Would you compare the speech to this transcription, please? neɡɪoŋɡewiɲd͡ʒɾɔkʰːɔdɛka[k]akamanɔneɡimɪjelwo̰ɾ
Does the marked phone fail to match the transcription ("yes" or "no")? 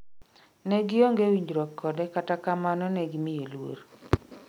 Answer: yes